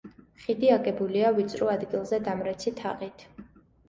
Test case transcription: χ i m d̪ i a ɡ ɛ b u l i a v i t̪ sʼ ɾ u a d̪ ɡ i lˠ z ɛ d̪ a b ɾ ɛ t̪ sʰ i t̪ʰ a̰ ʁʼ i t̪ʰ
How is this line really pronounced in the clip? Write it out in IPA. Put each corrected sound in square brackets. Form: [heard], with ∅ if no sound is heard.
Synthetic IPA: χ i [∅] d̪ i a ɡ ɛ b u l i a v i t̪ sʼ ɾ u a d̪ ɡ i lˠ z ɛ d̪ a [m] ɾ ɛ t̪ sʰ i t̪ʰ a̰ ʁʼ i t̪ʰ